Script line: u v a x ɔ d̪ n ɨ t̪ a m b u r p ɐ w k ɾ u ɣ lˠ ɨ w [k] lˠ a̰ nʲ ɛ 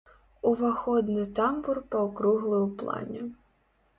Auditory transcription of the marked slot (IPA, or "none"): p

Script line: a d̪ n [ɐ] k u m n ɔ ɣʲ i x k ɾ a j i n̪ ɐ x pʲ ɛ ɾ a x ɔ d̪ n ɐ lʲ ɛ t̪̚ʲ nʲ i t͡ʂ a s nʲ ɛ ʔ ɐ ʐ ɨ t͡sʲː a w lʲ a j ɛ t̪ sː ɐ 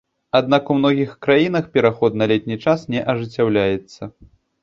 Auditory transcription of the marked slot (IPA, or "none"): a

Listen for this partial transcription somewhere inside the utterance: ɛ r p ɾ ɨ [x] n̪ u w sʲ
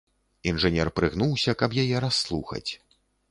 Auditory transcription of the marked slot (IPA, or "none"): ɣ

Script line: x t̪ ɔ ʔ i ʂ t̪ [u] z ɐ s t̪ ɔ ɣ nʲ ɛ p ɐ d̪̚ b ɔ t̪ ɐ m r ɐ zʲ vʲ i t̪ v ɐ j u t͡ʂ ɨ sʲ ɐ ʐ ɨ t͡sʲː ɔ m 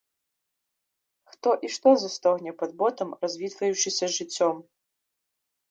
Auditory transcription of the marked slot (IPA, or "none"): ɔ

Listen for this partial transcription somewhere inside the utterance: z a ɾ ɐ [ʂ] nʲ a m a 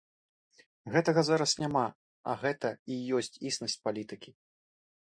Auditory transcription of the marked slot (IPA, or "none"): s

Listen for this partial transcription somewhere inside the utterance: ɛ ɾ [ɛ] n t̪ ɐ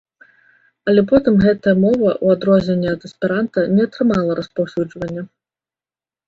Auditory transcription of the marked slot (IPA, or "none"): a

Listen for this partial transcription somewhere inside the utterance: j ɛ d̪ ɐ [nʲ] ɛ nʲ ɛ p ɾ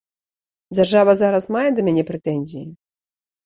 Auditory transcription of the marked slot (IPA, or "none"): mʲ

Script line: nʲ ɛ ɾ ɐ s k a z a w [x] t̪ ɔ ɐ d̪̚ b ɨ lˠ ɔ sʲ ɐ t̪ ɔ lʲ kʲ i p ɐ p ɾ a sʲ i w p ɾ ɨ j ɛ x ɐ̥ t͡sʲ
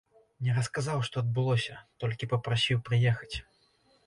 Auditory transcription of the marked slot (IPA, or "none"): ʂ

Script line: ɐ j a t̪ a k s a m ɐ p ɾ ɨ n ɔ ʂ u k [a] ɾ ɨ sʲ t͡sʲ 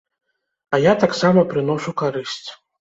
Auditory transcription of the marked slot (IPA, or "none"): a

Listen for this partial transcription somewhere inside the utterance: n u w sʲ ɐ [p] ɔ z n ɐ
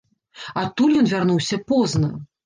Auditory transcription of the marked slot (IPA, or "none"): p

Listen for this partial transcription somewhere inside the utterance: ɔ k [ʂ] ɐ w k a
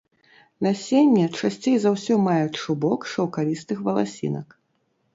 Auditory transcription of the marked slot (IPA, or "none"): ʂ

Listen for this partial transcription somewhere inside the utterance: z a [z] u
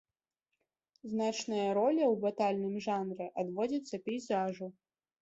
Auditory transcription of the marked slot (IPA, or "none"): ʐ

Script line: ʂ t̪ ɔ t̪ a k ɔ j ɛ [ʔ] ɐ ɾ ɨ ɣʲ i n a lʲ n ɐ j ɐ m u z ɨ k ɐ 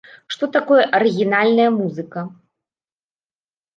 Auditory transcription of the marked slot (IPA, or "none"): ʔ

